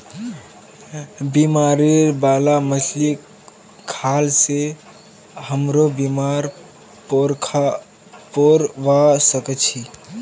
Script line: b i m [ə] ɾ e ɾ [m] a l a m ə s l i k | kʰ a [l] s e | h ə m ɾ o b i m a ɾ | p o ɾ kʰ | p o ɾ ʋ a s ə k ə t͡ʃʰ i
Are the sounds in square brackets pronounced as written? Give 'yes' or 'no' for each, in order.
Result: no, no, yes

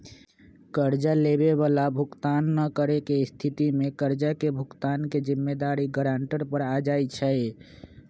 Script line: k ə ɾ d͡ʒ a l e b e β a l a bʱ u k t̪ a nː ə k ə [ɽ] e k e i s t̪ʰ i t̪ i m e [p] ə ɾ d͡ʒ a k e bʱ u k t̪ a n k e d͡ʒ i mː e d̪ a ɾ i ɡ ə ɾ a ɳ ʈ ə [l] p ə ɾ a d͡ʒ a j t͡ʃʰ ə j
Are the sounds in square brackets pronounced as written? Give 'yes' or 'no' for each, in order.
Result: no, no, no

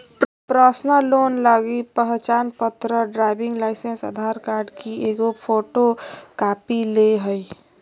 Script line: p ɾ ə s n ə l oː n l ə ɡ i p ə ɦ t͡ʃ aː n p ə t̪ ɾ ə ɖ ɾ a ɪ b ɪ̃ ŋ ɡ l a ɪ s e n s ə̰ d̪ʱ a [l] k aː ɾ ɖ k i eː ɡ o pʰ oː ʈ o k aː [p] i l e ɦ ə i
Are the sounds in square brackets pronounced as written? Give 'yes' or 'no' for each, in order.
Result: no, yes

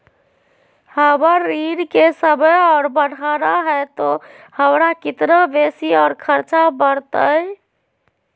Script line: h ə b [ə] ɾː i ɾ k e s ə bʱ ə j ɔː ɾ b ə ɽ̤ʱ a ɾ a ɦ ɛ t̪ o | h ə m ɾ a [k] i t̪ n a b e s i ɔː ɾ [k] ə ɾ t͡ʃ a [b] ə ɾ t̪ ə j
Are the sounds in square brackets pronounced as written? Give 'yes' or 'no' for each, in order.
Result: yes, yes, no, yes

